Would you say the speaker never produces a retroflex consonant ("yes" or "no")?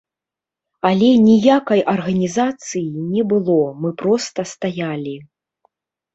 yes